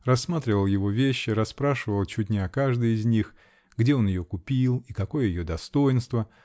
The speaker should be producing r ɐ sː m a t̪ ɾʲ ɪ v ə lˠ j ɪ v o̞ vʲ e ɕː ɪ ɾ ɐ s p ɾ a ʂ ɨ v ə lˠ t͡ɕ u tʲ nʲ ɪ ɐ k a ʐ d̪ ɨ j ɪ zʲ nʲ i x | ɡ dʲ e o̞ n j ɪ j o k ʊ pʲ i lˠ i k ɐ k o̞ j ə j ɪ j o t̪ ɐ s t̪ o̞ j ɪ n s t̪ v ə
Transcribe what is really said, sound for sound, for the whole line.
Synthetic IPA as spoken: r ɐ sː m a t̪ ɾʲ ɪ v ə lˠ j ɪ v o̞ vʲ e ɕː ɪ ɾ ɐ s p ɾ a ʂ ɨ v ə lˠ t͡ɕ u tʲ nʲ ɪ ɐ k a ʐ d̪ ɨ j ɪ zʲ nʲ i x | ɡ dʲ e o̞ n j ɪ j o k ʊ pʲ i lˠ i k ɐ k o̞ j ə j ɪ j o d̪ ɐ s t̪ o̞ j ɪ n s t̪ v ə